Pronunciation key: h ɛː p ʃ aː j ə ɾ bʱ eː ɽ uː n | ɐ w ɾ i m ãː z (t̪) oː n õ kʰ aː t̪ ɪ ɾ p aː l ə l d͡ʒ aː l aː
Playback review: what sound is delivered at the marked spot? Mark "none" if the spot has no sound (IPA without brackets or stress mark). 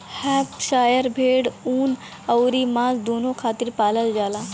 d̪